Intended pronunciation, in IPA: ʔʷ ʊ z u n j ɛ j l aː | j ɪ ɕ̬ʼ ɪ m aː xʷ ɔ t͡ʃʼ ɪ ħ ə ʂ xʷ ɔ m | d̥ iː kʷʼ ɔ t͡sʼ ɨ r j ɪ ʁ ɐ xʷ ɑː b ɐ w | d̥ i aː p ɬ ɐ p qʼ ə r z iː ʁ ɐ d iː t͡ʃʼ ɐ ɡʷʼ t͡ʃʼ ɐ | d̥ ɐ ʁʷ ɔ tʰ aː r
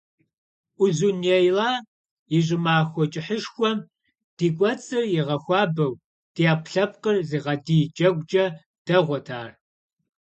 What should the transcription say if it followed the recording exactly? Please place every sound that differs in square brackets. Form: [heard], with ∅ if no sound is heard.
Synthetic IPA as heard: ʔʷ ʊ z u n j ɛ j l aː | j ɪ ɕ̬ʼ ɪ m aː xʷ ɔ t͡ʃʼ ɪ ħ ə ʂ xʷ ɔ m | d̥ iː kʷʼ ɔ t͡sʼ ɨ r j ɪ ʁ ɐ xʷ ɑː b ɐ w | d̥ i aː p ɬ ɐ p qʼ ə r z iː ʁ ɐ d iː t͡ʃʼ ɐ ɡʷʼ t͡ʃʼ ɐ | d̥ ɐ ʁʷ ɔ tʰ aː r